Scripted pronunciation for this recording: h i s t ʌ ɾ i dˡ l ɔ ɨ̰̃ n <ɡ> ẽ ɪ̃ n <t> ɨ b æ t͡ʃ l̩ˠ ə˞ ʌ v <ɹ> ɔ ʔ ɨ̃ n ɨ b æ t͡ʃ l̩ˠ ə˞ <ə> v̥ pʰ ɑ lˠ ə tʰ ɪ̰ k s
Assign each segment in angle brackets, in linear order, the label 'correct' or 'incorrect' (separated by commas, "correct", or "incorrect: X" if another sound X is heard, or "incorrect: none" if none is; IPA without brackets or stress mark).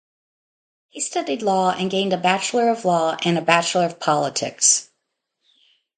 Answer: correct, incorrect: d, incorrect: l, incorrect: ʌ